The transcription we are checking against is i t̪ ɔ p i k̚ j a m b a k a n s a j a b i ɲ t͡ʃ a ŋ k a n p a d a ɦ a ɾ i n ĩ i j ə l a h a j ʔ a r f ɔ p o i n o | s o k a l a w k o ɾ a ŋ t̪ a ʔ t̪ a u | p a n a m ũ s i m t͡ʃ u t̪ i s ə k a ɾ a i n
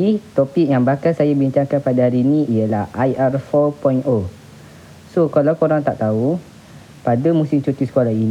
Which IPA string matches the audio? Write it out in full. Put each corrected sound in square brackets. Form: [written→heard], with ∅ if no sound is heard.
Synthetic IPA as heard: i t̪ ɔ p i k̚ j a [m→ŋ] b a k a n s a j a b i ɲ t͡ʃ a ŋ k a n p a d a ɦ a ɾ i n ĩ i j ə l a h a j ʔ a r f ɔ p [o→ɔ] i n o | s o k a l a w k o ɾ a ŋ t̪ a ʔ t̪ a u | p a [n→d] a m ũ s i m t͡ʃ u t̪ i s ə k a [ɾ→l] a i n